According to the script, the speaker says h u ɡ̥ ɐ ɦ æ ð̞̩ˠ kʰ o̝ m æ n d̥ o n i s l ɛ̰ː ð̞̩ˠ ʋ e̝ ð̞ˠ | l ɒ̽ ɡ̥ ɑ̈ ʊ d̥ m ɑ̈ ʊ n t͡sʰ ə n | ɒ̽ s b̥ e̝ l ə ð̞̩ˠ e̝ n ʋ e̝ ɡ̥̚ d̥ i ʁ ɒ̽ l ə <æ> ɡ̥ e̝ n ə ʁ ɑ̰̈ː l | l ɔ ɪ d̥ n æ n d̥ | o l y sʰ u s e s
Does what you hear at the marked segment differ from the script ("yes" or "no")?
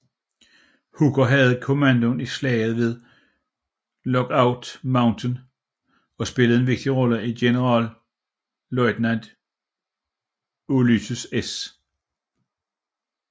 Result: yes